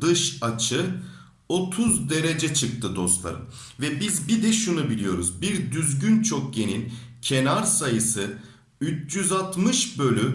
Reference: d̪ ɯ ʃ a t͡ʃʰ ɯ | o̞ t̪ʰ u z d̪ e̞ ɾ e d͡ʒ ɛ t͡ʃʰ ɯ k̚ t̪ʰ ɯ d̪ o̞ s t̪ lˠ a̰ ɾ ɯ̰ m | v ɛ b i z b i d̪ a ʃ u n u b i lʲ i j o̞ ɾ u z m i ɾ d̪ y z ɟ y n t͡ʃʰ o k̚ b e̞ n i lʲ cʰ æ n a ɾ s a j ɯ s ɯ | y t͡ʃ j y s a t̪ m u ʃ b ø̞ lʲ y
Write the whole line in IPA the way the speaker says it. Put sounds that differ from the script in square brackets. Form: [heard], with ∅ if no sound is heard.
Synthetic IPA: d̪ ɯ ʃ a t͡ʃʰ ɯ | o̞ t̪ʰ u z d̪ e̞ ɾ e d͡ʒ ɛ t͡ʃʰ ɯ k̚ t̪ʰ ɯ d̪ o̞ s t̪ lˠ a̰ ɾ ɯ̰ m | v ɛ b i z b i d̪ [ɛ] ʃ u n u b i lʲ i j o̞ ɾ u z [b] i ɾ d̪ y z ɟ y n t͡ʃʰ o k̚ [ɟ] e̞ n i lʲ cʰ [e] n a ɾ s a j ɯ s ɯ | y t͡ʃ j y [z] a t̪ m [ɯ] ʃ b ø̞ lʲ y